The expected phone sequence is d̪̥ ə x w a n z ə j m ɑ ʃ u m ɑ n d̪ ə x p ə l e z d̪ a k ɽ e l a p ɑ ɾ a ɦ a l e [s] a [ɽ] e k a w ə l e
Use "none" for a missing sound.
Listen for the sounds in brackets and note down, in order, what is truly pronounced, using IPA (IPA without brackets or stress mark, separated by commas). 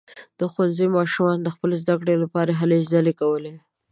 z, l